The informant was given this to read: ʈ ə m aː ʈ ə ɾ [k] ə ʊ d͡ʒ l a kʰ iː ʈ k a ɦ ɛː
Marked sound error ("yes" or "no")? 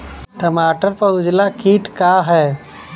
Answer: yes